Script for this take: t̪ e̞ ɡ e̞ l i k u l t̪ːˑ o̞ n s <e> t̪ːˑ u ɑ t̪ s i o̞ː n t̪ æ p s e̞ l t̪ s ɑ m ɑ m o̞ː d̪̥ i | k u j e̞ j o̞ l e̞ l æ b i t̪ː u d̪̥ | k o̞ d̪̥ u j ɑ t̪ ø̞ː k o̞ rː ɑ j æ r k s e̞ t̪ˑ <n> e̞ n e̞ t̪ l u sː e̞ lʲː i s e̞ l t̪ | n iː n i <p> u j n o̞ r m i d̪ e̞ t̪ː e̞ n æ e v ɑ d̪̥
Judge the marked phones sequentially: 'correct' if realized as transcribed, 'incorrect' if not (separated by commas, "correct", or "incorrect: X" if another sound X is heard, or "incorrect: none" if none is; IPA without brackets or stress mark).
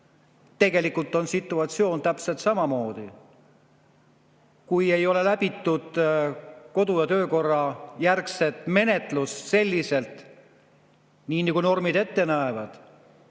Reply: incorrect: i, incorrect: m, incorrect: k